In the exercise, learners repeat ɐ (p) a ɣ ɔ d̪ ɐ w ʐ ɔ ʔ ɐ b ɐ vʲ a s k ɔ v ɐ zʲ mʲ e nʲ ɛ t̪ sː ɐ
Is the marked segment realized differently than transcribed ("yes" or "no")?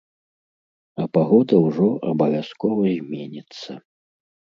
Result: no